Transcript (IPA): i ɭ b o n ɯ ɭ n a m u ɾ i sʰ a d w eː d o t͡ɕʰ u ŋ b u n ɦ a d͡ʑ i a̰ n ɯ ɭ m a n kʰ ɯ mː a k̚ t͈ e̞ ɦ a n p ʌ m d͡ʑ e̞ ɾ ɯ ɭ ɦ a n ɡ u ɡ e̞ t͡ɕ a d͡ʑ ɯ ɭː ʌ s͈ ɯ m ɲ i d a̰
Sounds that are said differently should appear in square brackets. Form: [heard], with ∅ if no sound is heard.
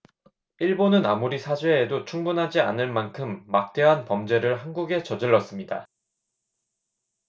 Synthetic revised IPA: i ɭ b o n ɯ [∅] n a m u ɾ i sʰ a [d͡ʑ] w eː d o t͡ɕʰ u ŋ b u n ɦ a d͡ʑ i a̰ n ɯ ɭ m a n kʰ ɯ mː a k̚ t͈ e̞ ɦ a n p ʌ m d͡ʑ e̞ ɾ ɯ ɭ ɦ a n ɡ u ɡ e̞ t͡ɕ [ʌ] d͡ʑ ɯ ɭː ʌ s͈ ɯ m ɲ i d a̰